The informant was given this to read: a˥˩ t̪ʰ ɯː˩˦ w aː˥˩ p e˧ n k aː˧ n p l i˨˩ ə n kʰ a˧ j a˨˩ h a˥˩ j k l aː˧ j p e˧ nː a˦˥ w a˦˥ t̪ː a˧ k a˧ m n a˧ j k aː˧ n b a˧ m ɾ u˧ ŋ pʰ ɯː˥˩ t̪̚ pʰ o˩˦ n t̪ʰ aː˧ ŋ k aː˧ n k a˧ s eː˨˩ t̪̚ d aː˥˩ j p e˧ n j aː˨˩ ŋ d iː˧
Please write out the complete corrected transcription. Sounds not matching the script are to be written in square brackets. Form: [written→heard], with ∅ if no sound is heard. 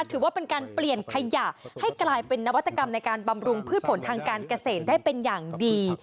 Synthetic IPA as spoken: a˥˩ t̪ʰ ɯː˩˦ w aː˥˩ p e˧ n k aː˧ n p l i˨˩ ə n kʰ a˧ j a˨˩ h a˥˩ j k l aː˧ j p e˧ nː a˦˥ w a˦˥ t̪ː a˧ k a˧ m n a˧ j k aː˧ n b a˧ m ɾ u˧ ŋ pʰ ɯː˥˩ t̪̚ pʰ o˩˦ n t̪ʰ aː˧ ŋ k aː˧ n k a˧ s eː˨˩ t̪̚ d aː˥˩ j p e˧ n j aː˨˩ ŋ d iː˧